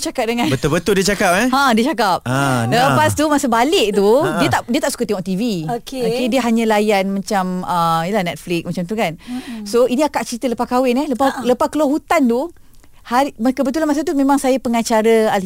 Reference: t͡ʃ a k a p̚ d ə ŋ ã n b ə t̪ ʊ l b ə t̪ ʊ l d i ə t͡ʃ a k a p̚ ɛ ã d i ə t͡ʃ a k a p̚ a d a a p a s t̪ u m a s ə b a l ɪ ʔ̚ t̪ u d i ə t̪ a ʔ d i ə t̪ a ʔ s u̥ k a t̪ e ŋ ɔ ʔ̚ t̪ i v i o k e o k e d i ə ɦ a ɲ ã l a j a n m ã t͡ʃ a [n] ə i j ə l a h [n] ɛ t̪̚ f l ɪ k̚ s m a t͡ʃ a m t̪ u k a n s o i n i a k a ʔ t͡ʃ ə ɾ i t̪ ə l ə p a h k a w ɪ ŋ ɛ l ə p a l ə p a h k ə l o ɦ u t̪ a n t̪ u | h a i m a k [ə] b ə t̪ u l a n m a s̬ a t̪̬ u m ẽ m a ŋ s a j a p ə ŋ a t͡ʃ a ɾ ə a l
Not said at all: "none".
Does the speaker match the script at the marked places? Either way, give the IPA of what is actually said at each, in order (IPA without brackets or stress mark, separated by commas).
m, n, ə